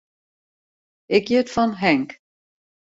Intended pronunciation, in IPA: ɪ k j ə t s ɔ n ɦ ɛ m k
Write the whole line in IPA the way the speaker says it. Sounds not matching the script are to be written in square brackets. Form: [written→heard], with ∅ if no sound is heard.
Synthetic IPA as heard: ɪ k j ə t [s→f] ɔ n ɦ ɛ [m→ŋ] k